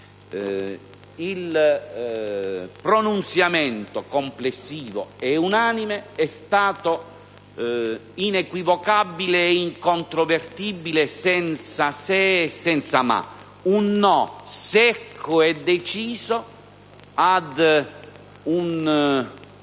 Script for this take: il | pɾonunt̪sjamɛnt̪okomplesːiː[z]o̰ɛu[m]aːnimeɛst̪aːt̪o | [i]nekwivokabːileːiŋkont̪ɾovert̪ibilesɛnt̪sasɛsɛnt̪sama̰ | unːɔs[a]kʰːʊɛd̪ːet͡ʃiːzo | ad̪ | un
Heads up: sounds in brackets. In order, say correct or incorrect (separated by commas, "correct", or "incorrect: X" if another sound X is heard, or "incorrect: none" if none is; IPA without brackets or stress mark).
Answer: incorrect: v, incorrect: n, correct, incorrect: ɛ